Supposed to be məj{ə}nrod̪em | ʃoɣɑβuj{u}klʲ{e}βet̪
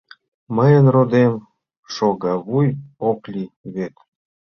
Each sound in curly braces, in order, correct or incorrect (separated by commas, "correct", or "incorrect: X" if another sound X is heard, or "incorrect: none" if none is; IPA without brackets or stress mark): correct, incorrect: o, incorrect: i